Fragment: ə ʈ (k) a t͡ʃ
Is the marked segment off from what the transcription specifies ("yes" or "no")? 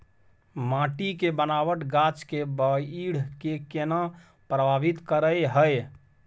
yes